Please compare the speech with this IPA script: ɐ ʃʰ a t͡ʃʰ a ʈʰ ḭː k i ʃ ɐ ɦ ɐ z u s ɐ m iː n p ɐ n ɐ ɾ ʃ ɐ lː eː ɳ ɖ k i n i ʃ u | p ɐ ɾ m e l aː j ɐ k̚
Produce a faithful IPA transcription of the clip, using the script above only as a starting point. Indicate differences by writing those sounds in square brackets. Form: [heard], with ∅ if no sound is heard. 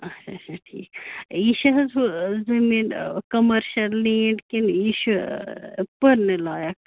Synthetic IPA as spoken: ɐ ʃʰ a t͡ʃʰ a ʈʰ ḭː k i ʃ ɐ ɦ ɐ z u [z] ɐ m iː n [k] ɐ [m] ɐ ɾ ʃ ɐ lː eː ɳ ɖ k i n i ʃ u | p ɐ ɾ [n] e l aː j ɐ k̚